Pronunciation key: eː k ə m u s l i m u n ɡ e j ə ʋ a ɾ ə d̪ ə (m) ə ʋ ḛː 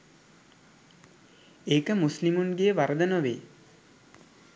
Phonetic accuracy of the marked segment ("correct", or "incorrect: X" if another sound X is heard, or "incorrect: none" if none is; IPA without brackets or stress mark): incorrect: n